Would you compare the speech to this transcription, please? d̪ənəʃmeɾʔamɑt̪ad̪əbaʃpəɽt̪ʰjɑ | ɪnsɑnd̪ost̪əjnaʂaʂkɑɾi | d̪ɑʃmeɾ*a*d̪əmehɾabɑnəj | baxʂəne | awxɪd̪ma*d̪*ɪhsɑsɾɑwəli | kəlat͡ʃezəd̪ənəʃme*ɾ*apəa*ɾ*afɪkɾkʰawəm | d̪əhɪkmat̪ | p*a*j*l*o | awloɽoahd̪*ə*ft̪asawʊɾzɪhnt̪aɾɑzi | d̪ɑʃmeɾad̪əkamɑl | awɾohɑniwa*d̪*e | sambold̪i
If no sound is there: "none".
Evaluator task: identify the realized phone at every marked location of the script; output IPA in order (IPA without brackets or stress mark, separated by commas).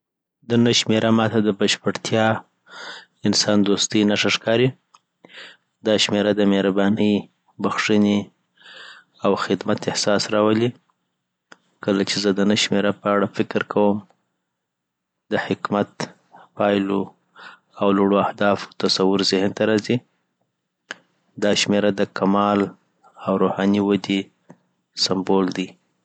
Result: a, t̪, ɾ, ɽ, ɑ, l, ɑ, d̪